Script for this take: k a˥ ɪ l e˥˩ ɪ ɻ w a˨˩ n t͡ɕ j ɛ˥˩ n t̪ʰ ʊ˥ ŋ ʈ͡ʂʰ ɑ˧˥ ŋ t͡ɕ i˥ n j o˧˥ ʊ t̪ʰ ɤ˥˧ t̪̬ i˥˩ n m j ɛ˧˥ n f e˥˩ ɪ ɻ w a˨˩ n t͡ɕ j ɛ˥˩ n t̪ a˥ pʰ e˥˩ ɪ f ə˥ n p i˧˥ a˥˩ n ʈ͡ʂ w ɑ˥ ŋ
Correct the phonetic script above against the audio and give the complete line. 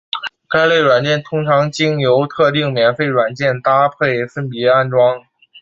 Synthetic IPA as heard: k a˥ ɪ l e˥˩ ɪ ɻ w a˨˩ n t͡ɕ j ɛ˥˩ n t̪ʰ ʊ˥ ŋ ʈ͡ʂʰ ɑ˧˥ ŋ t͡ɕ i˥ ŋ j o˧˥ ʊ t̪ʰ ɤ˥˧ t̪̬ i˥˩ ŋ m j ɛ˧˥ n f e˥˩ ɪ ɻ w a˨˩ n t͡ɕ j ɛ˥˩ n t̪ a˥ pʰ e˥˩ ɪ f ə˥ n p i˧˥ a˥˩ n ʈ͡ʂ w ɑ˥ ŋ